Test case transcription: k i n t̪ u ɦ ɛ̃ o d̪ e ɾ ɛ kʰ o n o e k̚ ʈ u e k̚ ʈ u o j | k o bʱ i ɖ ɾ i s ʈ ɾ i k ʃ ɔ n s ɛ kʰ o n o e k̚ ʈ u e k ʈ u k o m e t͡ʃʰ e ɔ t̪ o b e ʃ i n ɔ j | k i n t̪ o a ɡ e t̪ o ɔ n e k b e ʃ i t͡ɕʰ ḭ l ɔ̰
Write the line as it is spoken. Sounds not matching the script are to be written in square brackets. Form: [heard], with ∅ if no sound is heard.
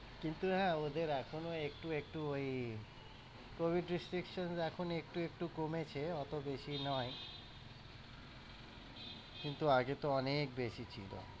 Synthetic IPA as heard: k i n t̪ u ɦ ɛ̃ o d̪ e ɾ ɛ kʰ o n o e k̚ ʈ u e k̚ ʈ u o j | k o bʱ i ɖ ɾ i s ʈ ɾ i k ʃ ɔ n s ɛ kʰ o n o e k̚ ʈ u e k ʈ u k o m e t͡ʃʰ e ɔ t̪ o b e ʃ i n ɔ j | k i n t̪ [u] a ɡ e t̪ o ɔ n e k b e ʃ i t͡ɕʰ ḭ l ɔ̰